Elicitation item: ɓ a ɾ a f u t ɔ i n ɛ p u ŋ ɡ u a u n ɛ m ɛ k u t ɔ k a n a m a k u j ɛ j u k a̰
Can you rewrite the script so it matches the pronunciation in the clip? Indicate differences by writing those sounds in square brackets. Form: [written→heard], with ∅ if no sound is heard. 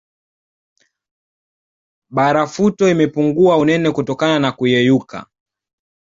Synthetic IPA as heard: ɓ a ɾ a f u t ɔ i [n→m] ɛ p u ŋ ɡ u a u n ɛ [m→n] ɛ k u t ɔ k a n a [m→n] a k u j ɛ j u k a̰